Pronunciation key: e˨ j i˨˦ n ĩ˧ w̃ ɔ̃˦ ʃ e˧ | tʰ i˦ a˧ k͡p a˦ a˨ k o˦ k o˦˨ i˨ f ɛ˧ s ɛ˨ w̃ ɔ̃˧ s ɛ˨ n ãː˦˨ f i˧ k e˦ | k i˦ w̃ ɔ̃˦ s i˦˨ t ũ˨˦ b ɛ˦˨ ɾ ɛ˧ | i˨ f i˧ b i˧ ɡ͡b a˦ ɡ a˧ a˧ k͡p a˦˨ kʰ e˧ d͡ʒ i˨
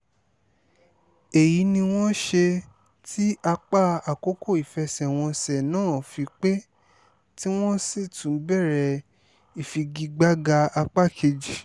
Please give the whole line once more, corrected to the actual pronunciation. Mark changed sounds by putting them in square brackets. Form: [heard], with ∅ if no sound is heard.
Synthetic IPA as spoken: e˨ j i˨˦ n ĩ˧ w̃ ɔ̃˦ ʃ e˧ | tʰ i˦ a˧ k͡p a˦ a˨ k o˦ k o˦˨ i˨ f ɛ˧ s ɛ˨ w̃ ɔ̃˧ s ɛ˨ n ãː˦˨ f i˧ [k͡p] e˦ | [t] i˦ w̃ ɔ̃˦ s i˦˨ t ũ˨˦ b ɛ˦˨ ɾ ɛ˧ | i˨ f i˧ [ɡ] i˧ ɡ͡b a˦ ɡ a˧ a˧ k͡p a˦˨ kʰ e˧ d͡ʒ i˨